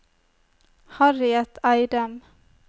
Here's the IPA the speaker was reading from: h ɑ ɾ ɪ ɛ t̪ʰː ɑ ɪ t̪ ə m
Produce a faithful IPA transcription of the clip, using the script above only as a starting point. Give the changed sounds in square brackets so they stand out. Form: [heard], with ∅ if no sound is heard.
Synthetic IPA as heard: h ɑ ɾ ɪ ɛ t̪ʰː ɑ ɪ [d̪] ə m